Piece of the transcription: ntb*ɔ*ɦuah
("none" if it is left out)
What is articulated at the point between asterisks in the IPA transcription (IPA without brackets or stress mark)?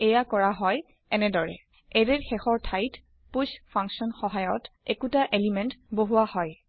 o